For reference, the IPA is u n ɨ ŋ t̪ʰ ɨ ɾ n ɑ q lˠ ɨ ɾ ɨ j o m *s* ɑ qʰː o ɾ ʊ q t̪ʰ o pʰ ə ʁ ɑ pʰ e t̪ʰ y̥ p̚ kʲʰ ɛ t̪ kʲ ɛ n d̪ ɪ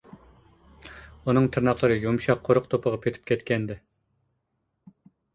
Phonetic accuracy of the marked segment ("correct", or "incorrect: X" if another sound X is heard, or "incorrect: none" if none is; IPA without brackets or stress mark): incorrect: ʃ